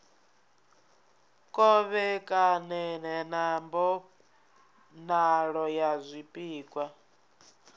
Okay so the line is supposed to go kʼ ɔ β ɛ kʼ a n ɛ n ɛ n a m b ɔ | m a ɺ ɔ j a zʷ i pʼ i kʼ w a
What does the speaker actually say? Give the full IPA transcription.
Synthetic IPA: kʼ ɔ β ɛ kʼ a n ɛ n ɛ n a m b ɔ | n a ɺ ɔ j a zʷ i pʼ iː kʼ w a